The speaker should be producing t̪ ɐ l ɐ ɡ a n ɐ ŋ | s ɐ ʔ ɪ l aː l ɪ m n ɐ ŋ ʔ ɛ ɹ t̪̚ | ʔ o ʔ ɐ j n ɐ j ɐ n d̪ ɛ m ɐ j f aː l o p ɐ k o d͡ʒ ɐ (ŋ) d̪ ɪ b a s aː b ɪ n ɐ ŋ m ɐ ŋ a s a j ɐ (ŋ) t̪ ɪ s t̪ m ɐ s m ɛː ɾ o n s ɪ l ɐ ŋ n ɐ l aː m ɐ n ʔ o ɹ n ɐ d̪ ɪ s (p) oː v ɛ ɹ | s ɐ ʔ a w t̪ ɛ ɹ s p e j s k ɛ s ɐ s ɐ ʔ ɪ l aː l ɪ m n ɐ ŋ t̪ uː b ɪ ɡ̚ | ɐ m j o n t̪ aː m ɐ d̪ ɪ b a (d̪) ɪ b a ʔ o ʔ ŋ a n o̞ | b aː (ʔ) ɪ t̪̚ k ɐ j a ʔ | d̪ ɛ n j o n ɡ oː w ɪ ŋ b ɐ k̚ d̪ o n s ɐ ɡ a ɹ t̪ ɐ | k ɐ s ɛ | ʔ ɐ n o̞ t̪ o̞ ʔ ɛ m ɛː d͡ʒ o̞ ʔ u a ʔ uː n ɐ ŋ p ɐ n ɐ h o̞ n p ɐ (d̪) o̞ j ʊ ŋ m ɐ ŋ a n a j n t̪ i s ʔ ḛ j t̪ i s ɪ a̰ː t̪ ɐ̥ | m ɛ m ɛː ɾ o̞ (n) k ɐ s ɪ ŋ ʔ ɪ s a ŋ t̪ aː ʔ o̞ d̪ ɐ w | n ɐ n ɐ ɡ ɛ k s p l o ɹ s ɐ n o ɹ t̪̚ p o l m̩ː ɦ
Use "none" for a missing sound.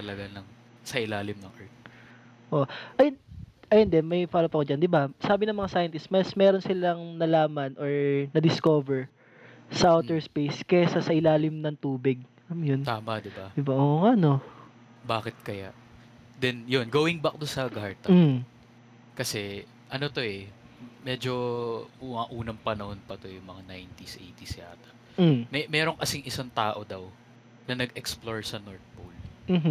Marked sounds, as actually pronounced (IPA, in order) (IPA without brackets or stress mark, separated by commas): n, n, k, d̪, k, t̪, ŋ